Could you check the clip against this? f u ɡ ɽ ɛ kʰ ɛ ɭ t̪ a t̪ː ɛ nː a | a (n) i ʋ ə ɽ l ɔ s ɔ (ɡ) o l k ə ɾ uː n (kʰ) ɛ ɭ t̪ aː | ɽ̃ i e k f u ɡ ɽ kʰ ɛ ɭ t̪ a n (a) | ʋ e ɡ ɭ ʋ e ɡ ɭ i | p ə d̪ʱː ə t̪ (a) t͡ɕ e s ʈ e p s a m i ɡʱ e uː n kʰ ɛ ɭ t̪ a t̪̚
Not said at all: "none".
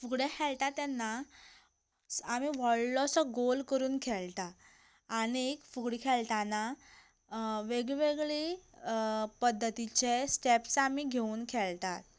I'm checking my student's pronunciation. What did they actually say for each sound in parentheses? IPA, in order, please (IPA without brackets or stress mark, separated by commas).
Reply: m, ɡ, kʰ, a, i